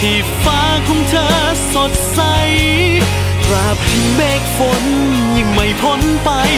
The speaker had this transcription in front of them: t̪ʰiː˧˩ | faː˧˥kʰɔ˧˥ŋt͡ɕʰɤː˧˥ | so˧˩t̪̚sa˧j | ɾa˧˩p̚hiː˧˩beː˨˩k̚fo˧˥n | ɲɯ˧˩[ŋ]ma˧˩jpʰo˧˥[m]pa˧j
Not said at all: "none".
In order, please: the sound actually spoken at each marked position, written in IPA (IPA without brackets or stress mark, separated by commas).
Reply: ŋ, n